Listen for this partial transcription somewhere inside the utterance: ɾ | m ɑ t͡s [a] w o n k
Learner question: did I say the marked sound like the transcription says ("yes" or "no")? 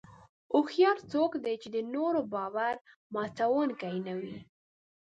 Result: yes